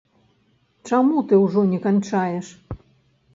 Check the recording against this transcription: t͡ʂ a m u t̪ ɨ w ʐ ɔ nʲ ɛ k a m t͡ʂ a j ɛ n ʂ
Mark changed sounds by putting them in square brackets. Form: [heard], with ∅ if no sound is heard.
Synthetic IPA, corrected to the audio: t͡ʂ a m u t̪ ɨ w ʐ ɔ nʲ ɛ k a [n] t͡ʂ a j ɛ [∅] ʂ